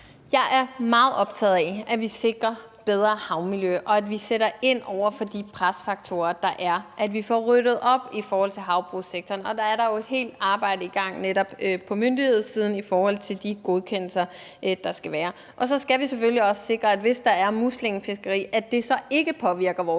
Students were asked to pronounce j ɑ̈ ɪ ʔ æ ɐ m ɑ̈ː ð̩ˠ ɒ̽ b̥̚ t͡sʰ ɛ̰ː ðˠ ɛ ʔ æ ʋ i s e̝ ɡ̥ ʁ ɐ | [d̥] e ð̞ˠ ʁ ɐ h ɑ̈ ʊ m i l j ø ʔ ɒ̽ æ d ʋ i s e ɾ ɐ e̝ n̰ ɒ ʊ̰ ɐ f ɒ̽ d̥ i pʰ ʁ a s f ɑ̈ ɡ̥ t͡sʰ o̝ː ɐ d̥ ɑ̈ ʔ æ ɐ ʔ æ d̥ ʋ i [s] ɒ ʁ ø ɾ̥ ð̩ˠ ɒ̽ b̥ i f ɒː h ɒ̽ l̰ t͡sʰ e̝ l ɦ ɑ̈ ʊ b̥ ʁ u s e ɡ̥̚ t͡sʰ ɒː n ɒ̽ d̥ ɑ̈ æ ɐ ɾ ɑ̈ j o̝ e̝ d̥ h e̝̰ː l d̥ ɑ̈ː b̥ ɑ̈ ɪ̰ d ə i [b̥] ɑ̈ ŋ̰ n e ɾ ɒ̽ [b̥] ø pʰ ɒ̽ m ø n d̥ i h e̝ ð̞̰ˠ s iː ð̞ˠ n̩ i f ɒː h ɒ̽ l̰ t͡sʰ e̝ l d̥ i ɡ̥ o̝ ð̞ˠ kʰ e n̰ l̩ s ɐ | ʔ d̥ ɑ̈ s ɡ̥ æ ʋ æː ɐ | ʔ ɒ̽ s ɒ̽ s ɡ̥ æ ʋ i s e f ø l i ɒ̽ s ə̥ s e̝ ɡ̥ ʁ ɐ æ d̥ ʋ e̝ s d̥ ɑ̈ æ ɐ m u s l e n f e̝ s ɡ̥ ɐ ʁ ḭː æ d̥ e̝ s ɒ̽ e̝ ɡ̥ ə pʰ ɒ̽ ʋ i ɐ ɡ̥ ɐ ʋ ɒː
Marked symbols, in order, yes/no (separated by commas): no, no, no, yes